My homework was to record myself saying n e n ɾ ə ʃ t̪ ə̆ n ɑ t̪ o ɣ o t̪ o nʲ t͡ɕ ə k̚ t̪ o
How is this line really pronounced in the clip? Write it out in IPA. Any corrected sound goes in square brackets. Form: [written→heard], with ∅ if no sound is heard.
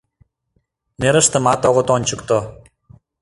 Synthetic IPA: n e [n→∅] ɾ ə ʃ t̪ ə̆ [n→m] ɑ t̪ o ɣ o t̪ o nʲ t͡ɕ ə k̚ t̪ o